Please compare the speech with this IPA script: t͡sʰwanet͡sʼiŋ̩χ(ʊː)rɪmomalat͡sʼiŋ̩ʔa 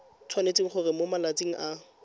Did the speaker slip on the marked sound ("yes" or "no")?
yes